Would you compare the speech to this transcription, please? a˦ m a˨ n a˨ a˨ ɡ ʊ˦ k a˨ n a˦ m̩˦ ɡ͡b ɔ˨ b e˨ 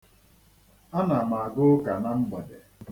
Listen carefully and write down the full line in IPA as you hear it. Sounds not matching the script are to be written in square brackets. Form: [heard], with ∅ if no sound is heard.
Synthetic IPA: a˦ [n] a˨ [m] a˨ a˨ ɡ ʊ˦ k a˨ n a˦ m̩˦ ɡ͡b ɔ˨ [d] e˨